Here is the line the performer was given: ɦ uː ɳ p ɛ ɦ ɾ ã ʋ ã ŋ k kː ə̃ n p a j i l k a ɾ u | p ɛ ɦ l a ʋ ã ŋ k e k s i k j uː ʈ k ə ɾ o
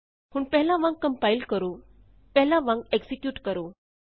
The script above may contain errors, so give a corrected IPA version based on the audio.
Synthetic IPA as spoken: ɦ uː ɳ p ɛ ɦ l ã ʋ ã ŋ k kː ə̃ m p a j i l k ə ɾ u | p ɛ ɦ l a ʋ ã ŋ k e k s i k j uː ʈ k ə ɾ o